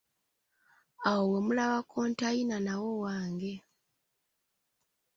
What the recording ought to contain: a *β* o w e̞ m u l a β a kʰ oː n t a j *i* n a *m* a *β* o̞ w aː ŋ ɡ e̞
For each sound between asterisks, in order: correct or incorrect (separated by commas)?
incorrect, correct, incorrect, incorrect